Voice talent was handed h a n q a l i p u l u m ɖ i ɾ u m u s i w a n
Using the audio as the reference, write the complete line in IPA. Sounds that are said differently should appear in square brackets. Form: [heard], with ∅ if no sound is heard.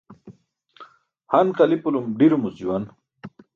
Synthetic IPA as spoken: h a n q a l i p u l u m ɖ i ɾ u m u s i w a n